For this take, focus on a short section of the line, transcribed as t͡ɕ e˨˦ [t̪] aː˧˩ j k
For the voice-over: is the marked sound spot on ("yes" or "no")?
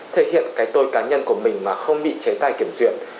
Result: yes